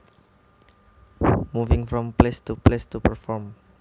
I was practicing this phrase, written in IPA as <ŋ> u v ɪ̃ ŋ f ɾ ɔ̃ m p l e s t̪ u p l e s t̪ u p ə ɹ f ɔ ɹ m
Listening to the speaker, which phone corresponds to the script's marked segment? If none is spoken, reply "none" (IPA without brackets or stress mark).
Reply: m